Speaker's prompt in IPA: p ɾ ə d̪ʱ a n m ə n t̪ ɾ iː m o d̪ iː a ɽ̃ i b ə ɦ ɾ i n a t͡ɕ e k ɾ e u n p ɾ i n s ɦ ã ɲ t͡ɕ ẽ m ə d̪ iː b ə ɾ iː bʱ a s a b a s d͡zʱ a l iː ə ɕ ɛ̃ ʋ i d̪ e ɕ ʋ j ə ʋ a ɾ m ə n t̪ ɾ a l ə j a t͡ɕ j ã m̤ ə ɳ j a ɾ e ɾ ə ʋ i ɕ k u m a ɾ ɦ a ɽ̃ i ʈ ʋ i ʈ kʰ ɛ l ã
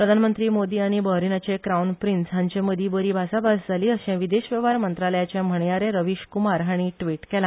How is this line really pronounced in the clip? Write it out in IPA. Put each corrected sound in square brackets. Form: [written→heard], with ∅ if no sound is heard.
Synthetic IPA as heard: p ɾ ə d̪ʱ a n m ə n t̪ ɾ iː m o d̪ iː a ɽ̃ i b ə ɦ ɾ i n a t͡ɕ e k ɾ [e→a] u n p ɾ i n s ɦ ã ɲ t͡ɕ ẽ m ə d̪ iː b ə ɾ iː bʱ a s a b a s d͡zʱ a l iː ə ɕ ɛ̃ ʋ i d̪ e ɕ ʋ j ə ʋ a ɾ m ə n t̪ ɾ a l ə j a t͡ɕ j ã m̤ ə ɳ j a ɾ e ɾ ə ʋ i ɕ k u m a ɾ ɦ a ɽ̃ i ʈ ʋ i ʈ [kʰ→k] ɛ l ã